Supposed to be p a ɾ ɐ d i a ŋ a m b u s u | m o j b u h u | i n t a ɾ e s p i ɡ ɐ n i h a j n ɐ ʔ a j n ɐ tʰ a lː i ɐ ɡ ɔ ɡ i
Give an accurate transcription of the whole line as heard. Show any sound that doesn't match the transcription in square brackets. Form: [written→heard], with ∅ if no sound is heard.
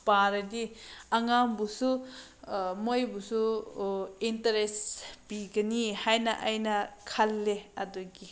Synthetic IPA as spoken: p a ɾ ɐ d i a ŋ a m b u s u | m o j b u [h→s] u | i n t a ɾ e s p i ɡ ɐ n i h a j n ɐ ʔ a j n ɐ [tʰ→kʰ] a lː [i→e] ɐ [ɡ→d] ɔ ɡ i